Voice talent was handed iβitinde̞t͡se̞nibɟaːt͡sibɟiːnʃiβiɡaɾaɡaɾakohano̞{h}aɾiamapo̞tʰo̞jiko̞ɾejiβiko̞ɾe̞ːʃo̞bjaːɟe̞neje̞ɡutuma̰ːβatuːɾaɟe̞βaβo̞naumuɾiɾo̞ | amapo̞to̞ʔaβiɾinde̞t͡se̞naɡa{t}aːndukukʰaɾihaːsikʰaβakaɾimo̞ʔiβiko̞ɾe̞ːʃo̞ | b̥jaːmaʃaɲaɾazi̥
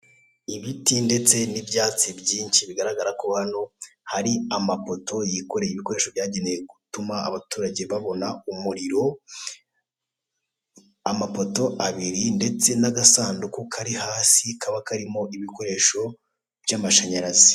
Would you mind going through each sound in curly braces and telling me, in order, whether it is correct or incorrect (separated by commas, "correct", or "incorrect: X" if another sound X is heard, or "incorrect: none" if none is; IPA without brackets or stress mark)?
correct, incorrect: s